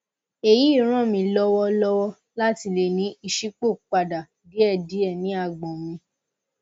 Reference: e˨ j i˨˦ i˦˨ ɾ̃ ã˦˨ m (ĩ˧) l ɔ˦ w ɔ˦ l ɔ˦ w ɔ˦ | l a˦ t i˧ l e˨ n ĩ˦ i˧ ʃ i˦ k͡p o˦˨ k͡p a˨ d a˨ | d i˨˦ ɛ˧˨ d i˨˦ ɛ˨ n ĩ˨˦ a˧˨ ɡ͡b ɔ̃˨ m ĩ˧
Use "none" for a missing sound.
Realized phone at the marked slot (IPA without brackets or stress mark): ĩ˧